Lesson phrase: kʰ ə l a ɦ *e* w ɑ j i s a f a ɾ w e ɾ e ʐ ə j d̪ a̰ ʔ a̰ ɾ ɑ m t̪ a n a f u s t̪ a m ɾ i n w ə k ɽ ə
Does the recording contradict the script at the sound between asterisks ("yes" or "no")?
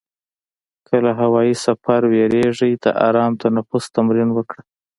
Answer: yes